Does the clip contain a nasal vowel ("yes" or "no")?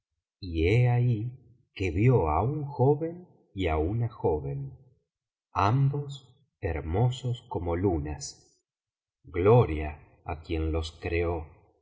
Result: no